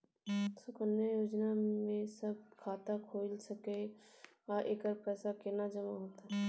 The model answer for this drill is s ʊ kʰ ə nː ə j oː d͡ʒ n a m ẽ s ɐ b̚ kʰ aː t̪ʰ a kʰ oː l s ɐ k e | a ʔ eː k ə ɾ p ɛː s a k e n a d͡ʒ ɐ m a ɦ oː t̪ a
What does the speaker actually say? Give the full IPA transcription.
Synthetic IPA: s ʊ k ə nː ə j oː d͡ʒ n a m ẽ s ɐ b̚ kʰ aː t̪ a kʰ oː l s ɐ k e | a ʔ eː k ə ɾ p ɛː s a k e n a d͡ʒ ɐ m a ɦ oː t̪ a